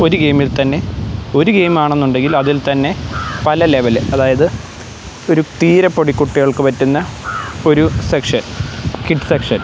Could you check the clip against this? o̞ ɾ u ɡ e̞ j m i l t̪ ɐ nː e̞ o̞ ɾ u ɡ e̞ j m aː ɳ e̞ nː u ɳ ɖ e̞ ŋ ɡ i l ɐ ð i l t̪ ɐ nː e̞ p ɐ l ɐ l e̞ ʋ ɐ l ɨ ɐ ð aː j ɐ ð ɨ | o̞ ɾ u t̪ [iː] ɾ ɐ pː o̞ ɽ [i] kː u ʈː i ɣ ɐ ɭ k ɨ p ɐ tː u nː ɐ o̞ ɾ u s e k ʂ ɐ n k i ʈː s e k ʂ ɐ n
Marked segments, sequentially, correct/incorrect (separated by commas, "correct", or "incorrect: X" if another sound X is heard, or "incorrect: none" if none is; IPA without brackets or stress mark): correct, correct